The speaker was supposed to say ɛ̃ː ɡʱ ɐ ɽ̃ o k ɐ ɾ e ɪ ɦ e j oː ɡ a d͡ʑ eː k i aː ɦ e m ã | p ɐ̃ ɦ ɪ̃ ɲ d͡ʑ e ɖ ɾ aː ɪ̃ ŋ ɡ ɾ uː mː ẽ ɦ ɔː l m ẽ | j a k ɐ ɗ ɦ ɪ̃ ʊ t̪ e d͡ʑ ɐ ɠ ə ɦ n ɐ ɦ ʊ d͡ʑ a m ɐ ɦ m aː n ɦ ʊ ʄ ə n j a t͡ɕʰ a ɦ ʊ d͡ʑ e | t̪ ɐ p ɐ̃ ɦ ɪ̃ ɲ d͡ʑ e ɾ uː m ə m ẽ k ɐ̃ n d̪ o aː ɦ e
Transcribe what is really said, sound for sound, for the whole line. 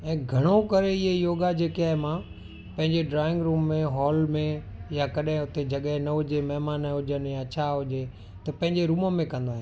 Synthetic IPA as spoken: ɛ̃ː ɡʱ ɐ ɽ̃ o k ɐ ɾ e ɪ ɦ e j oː ɡ a d͡ʑ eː k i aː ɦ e m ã | p ɐ̃ ɦ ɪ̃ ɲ d͡ʑ e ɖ ɾ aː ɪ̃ ŋ ɡ ɾ uː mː ẽ ɦ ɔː l m ẽ | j a k ɐ ɗ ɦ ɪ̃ ʊ t̪ e d͡ʑ ɐ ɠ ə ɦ n ɐ ɦ ʊ d͡ʑ e m ɐ ɦ m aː n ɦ ʊ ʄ ə n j a t͡ɕʰ a ɦ ʊ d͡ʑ e | t̪ ɐ p ɐ̃ ɦ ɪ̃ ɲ d͡ʑ e ɾ uː m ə m ẽ k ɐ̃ n d̪ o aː ɦ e